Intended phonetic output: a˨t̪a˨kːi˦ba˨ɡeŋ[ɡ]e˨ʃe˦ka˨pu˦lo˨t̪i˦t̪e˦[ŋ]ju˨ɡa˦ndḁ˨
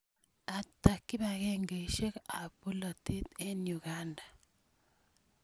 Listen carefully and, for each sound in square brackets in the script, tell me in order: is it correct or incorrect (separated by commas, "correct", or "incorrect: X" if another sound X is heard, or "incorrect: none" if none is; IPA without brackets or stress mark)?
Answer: correct, incorrect: n